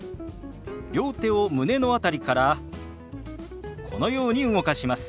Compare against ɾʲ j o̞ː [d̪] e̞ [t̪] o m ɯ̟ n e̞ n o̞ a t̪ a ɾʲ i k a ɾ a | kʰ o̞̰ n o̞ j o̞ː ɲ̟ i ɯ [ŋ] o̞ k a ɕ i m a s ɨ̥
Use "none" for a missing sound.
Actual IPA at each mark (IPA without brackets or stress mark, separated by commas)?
t̪, none, ŋ